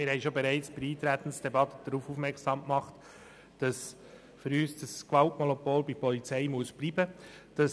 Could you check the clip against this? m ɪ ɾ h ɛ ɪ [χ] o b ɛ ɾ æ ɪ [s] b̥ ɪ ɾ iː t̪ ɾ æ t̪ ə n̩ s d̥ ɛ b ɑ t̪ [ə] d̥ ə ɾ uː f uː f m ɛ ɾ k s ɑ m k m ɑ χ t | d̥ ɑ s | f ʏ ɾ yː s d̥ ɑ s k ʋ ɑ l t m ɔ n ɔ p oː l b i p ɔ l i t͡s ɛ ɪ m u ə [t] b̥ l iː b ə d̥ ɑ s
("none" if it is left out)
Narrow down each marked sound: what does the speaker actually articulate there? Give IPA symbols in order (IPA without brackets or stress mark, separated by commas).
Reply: ʃ, t͡s, ə, s